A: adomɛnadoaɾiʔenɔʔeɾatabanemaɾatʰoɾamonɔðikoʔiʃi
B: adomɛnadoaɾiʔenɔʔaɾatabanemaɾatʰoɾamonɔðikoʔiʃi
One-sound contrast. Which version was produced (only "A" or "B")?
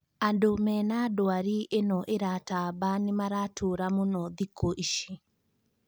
A